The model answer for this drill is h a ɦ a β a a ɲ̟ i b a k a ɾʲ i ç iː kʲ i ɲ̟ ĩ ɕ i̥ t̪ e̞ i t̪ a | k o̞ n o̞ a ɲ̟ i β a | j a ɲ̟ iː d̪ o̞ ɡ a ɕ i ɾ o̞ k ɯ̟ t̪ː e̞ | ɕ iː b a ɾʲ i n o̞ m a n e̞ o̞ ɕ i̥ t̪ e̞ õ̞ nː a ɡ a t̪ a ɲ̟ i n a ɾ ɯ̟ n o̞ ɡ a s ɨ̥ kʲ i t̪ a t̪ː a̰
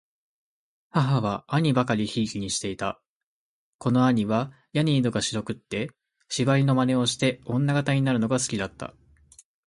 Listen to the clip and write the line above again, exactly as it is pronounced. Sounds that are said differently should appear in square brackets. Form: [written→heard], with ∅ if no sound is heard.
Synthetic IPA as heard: h a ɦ a β a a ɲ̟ i b a k a ɾʲ i ç iː kʲ i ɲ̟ [ĩ→i] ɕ i̥ t̪ e̞ i t̪ a | k o̞ n o̞ a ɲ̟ i β a | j a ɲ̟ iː d̪ o̞ ɡ a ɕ i ɾ o̞ k ɯ̟ t̪ː e̞ | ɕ [iː→i] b a ɾʲ i n o̞ m a n e̞ o̞ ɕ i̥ t̪ e̞ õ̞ nː a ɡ a t̪ a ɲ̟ i n a ɾ ɯ̟ n o̞ ɡ a s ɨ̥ kʲ i [t̪→d̪] a t̪ː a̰